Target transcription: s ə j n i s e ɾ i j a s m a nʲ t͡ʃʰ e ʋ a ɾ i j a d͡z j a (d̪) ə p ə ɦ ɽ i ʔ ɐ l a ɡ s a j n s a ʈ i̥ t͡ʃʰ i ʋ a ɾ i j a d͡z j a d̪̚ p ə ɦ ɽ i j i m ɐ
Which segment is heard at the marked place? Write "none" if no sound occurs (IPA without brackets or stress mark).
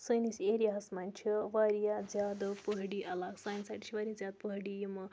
d̪